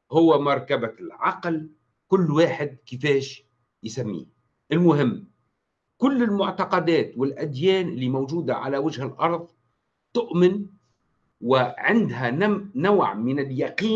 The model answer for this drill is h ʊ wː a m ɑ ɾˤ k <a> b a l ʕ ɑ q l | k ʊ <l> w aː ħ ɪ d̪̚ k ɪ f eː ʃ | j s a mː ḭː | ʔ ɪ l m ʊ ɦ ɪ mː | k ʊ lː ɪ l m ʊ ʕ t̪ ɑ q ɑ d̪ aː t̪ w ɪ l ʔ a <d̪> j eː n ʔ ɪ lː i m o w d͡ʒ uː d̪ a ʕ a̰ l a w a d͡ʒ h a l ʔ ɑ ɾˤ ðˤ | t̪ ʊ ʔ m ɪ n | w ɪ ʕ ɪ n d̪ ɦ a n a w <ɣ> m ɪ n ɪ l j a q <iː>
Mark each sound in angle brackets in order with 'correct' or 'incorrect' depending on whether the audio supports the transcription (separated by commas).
correct, incorrect, correct, incorrect, correct